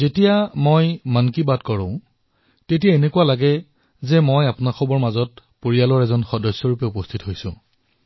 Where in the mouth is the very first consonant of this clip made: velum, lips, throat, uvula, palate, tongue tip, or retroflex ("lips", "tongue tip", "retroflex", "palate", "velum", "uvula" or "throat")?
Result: tongue tip